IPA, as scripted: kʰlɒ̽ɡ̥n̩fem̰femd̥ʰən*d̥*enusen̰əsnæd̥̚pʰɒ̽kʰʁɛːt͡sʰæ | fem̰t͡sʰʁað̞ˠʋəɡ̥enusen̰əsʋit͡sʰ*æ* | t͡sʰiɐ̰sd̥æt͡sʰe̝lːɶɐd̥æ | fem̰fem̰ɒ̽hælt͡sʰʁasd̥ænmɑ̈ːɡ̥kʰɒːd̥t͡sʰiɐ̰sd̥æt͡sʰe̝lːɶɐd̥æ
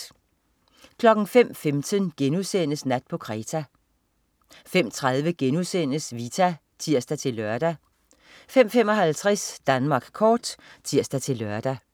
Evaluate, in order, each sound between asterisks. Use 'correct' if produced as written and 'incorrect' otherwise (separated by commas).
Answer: incorrect, correct